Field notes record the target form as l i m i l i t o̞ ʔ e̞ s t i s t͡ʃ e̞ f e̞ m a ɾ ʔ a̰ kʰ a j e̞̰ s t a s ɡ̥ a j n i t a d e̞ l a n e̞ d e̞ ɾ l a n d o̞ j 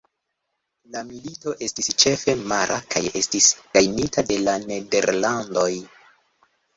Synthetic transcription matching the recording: l a m i l i t o̞ ʔ e̞ s t i s t͡ʃ e̞ f e̞ m a ɾ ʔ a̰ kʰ a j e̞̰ s t i s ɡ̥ a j n i t a d e̞ l a n e̞ d e̞ ɾ l a n d o̞ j